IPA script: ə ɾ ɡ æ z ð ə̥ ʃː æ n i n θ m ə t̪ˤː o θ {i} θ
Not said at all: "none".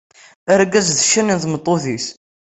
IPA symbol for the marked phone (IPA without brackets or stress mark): i